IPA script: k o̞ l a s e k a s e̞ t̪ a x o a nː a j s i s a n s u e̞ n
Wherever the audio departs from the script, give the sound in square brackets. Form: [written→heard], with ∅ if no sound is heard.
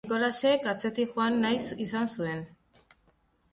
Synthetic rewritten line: k o̞ l a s e k a [s→t͡s] e̞ t̪ [a→i] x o a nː a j s i s a n s u e̞ n